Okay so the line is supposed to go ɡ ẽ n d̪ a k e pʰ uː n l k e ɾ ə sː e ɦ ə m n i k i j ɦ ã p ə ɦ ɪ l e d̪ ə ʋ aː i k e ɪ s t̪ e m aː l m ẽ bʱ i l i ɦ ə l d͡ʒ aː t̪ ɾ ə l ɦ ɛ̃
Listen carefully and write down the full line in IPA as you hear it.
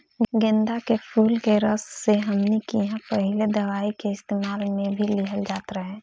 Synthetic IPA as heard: ɡ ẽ n d̪ a k e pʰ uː l k e ɾ ə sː e ɦ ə m n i k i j ɦ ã p ə ɦ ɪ l e d̪ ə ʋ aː i k e ɪ s t̪ e m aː l m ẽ bʱ i l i ɦ ə l d͡ʒ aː t̪ ɾ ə ɦ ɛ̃